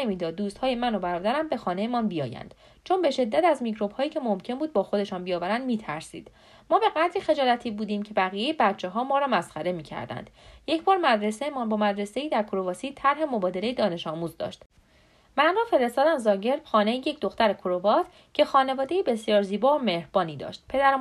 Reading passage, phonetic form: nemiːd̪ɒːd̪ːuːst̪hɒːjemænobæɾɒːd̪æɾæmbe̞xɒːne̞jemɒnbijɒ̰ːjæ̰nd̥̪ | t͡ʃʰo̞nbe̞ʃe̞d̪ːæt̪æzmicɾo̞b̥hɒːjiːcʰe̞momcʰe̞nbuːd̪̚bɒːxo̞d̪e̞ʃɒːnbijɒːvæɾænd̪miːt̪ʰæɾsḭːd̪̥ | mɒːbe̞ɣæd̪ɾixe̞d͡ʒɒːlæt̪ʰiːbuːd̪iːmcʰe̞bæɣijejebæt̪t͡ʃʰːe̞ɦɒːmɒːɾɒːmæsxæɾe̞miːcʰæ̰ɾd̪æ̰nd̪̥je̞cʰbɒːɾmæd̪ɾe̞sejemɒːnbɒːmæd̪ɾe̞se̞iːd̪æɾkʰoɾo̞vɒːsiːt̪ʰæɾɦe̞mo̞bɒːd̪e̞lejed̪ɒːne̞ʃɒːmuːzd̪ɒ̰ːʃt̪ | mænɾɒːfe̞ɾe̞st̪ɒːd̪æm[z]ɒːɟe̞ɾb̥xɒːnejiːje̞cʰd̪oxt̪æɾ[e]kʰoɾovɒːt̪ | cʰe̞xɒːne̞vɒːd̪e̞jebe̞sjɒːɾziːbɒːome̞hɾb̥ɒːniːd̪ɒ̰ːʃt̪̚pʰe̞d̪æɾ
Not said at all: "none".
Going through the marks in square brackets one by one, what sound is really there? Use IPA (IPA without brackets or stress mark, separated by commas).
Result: z, e